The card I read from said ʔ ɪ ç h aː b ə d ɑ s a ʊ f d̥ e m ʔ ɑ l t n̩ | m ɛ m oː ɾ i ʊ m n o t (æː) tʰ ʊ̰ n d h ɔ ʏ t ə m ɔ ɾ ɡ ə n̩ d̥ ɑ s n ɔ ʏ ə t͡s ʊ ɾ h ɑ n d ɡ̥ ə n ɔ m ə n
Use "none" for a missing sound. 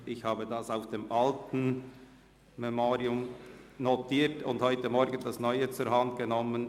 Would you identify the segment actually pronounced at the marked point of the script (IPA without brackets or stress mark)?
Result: iː